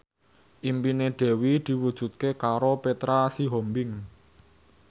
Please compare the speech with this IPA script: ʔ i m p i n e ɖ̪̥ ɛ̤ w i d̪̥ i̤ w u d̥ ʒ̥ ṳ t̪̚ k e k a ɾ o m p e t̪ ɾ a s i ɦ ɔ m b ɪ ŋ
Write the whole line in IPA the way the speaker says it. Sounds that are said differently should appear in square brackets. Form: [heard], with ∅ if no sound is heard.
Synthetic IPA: ʔ i m p i n e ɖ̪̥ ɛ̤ w i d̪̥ i̤ w u d̥ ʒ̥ ṳ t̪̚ k e k a ɾ o [∅] p e t̪ ɾ a s i ɦ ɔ m b ɪ ŋ